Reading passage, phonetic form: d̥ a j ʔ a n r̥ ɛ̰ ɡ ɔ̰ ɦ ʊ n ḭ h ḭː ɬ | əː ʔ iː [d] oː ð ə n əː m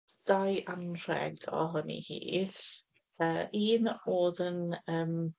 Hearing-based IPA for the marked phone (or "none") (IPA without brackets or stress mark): n